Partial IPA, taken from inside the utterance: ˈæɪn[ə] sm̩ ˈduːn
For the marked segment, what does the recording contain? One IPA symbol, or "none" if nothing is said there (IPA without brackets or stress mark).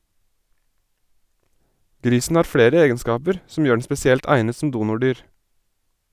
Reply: ə